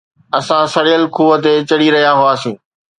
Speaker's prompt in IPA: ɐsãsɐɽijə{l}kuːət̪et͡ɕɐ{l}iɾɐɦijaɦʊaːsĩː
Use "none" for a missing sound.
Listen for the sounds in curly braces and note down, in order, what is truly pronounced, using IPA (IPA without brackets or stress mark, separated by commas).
l, ɽ